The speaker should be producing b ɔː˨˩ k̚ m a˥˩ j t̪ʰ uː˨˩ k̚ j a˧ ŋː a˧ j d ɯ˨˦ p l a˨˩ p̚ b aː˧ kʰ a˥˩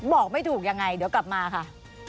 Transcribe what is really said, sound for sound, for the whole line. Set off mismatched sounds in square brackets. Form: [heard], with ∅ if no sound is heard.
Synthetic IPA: b ɔː˨˩ k̚ m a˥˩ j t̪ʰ uː˨˩ k̚ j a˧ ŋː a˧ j d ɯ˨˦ [k] l a˨˩ p̚ [m] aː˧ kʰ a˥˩